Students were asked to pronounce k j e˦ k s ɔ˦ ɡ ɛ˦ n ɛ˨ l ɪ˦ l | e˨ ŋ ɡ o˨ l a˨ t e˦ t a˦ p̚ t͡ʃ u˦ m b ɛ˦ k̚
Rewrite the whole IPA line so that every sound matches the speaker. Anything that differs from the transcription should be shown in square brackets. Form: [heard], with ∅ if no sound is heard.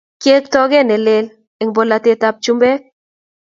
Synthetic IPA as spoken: k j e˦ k [t] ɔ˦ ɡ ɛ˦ n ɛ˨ l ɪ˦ l | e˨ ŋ [b] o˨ l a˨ t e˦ t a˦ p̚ t͡ʃ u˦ m b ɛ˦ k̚